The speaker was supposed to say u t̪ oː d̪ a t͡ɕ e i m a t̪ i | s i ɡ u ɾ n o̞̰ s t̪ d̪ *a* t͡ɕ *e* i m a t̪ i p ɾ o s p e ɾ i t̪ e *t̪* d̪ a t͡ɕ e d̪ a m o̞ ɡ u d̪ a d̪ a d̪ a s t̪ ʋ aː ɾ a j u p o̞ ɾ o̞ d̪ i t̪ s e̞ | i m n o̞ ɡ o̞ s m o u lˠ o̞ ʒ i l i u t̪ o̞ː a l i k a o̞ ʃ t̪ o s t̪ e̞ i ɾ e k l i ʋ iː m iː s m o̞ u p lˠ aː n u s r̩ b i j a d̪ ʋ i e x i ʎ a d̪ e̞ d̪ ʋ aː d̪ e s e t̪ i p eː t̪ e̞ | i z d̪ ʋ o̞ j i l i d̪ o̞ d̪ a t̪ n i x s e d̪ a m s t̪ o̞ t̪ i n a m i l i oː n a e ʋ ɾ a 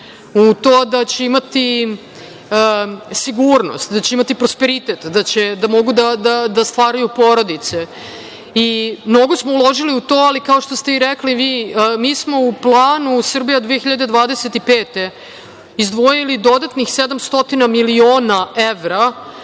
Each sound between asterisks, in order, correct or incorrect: correct, correct, correct

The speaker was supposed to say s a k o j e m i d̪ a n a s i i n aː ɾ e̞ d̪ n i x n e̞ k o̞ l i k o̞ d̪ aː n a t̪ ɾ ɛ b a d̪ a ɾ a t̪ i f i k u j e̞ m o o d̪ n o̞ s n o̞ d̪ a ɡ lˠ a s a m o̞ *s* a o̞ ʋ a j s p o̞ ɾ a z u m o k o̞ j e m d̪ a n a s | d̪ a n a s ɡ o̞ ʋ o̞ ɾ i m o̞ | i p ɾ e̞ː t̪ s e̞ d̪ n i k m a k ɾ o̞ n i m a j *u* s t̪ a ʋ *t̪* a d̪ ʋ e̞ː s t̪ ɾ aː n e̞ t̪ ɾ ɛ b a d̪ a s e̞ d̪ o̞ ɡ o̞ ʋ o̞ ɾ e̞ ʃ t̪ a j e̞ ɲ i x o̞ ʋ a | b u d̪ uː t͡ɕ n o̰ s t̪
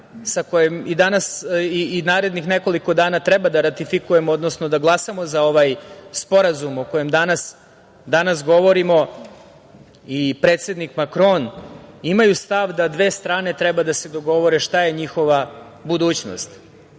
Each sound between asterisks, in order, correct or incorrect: incorrect, correct, incorrect

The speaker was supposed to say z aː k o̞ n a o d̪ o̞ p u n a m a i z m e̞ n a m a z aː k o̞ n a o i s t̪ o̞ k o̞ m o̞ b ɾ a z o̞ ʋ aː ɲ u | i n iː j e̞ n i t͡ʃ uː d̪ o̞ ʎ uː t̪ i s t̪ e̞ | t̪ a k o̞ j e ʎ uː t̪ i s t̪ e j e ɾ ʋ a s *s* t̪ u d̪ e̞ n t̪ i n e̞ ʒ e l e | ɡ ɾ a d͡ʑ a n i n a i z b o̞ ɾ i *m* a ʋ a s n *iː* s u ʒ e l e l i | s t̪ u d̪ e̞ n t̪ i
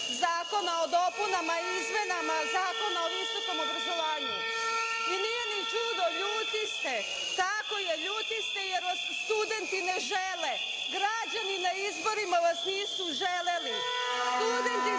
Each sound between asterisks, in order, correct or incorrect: correct, correct, correct

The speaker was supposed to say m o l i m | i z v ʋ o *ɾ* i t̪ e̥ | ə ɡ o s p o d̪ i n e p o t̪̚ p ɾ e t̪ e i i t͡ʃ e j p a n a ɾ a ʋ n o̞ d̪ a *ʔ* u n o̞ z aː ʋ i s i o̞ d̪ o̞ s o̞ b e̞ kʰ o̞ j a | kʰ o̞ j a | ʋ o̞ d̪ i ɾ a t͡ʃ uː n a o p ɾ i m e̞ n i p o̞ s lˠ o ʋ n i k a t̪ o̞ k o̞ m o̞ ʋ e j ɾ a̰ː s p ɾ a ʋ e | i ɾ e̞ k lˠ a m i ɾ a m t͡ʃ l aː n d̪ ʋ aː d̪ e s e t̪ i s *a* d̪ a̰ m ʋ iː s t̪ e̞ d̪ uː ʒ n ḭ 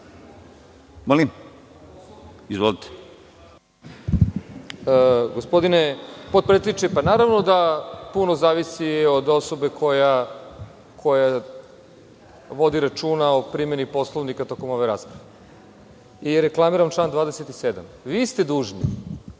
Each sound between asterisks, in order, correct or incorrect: incorrect, incorrect, incorrect

